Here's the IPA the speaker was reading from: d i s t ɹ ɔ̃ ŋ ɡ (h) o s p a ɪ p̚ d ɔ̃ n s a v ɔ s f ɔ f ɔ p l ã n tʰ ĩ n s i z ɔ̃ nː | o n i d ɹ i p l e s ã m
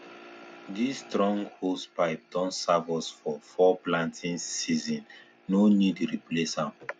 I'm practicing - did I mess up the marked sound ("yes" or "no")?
no